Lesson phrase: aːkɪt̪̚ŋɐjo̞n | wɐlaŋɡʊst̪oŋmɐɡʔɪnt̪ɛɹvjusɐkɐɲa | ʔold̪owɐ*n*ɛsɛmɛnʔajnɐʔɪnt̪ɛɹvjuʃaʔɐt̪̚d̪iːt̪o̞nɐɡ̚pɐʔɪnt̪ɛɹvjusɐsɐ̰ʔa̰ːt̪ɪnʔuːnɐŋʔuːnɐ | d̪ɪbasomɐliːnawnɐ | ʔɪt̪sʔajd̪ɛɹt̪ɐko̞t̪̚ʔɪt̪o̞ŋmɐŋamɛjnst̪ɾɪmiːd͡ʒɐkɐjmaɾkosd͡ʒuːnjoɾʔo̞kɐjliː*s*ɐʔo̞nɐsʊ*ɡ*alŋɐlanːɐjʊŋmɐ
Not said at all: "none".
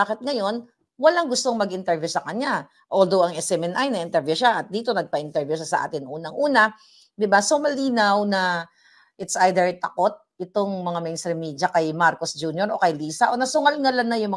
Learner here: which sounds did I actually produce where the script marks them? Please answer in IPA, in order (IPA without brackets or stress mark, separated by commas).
ŋ, s, ŋ